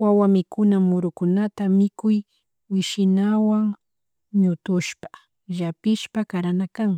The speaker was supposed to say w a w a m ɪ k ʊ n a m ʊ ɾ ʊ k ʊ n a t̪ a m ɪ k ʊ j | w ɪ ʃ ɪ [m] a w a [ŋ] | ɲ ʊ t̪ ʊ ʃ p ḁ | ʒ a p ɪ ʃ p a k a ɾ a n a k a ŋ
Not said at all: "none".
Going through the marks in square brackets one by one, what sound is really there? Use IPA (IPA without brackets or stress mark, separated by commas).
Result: n, ŋ